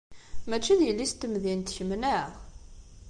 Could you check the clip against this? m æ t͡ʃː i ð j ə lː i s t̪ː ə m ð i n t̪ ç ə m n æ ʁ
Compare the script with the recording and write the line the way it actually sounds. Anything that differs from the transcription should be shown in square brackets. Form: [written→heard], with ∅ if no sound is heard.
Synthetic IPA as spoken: m æ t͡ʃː i ð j ə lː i s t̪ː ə m ð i n t̪ ç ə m n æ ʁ